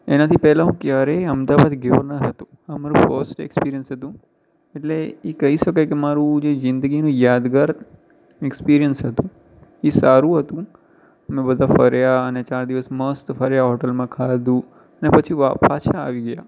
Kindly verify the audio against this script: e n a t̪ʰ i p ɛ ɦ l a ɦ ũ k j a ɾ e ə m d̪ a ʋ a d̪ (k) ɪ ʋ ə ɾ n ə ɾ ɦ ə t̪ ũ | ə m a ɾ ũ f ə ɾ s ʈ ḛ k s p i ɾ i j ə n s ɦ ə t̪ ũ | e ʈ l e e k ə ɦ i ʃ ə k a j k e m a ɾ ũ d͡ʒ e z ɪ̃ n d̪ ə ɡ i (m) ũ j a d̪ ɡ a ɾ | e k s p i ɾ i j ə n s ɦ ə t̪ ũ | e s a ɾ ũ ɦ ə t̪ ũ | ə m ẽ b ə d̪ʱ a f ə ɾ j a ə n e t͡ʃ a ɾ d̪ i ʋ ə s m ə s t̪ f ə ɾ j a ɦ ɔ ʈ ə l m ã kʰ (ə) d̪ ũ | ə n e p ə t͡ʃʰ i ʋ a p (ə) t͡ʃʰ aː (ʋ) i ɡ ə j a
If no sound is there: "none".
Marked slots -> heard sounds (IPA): ɡ, n, a, a, ʋ

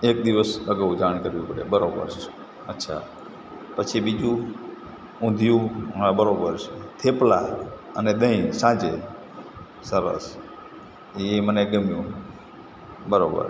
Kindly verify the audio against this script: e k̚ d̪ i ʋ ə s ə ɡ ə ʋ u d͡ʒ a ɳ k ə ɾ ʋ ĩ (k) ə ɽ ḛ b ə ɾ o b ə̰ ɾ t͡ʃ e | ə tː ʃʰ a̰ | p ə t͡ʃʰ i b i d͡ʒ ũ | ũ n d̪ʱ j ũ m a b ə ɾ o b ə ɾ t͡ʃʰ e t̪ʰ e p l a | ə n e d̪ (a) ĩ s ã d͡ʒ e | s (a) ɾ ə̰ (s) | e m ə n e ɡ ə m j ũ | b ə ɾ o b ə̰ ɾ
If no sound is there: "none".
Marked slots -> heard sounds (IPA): p, ə, ə, s

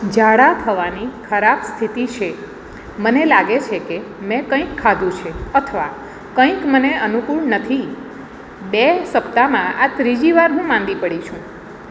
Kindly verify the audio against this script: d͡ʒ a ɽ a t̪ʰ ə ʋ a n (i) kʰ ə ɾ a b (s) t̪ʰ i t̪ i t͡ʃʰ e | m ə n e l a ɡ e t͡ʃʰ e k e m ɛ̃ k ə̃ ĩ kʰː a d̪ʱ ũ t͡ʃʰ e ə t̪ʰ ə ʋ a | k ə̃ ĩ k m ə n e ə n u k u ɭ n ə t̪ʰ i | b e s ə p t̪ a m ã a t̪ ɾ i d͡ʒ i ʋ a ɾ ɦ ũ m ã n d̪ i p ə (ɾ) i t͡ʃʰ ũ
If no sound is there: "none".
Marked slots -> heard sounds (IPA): i, s, ɽ

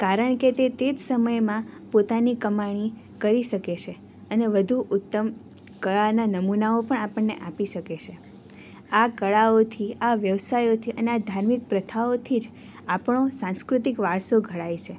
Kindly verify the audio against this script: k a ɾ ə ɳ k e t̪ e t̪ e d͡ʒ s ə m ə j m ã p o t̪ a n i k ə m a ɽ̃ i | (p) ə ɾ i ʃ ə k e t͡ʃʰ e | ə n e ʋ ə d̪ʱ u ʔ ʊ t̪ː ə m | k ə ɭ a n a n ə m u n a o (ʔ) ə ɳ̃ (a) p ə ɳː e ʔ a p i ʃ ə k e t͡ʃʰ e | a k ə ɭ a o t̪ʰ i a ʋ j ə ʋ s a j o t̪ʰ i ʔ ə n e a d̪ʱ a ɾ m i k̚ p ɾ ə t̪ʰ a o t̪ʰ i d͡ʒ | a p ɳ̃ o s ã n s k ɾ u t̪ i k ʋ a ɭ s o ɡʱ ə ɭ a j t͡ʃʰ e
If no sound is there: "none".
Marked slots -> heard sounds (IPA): k, p, a

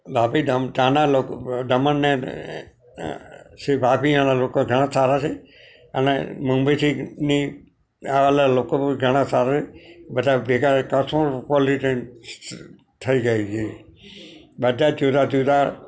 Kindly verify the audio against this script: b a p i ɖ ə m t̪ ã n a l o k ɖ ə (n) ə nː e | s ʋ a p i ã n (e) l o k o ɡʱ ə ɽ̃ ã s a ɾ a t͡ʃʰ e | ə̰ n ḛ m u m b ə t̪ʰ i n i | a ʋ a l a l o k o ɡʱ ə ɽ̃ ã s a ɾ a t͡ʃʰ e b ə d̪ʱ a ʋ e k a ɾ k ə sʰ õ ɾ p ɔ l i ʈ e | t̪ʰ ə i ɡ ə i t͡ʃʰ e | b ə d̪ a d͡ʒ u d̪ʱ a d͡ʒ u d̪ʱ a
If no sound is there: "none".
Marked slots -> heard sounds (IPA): m, a

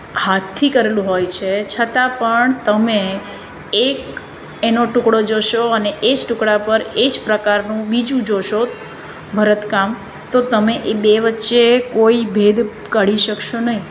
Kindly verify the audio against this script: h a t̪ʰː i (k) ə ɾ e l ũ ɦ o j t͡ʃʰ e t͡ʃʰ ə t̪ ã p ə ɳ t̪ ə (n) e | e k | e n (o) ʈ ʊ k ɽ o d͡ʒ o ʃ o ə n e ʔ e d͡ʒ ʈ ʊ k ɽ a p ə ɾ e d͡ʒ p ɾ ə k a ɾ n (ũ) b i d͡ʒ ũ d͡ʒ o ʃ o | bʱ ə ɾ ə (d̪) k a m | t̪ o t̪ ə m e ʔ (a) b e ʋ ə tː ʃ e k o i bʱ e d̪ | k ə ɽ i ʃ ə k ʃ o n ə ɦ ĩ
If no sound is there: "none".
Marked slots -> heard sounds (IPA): k, m, o, ũ, t̪, e

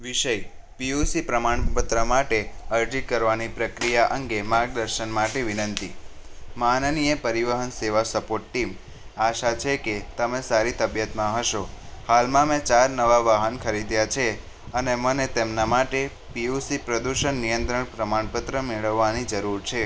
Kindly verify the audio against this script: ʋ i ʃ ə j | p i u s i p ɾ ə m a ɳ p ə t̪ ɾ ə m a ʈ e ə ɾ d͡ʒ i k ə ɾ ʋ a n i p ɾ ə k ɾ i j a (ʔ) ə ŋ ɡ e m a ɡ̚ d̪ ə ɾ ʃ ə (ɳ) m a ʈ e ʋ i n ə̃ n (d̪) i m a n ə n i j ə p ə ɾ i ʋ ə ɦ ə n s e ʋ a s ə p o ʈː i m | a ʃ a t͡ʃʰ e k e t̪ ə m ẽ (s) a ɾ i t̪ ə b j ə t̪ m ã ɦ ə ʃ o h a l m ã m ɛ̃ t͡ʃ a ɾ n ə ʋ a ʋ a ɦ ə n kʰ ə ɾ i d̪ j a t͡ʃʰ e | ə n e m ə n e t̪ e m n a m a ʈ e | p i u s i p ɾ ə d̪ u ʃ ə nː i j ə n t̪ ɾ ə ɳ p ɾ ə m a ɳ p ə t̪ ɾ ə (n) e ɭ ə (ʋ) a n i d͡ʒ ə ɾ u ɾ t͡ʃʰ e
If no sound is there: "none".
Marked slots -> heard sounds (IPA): ʔ, n, t̪, s, m, ʋː

